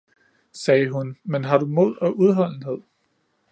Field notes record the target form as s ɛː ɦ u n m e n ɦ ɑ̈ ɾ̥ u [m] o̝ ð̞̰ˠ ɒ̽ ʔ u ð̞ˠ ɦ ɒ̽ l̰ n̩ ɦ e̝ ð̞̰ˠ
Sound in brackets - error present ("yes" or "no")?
no